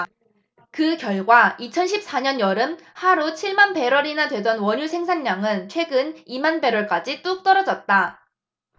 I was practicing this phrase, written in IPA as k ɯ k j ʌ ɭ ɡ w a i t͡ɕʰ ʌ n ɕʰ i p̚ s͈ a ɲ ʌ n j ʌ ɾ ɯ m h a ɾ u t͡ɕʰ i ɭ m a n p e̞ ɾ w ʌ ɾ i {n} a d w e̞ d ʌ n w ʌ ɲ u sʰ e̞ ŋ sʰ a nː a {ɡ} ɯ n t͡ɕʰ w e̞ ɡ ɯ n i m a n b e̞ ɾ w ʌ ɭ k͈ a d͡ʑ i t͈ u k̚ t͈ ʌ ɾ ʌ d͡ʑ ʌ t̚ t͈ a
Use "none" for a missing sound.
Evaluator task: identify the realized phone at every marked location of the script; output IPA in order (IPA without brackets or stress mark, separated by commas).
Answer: n, ŋ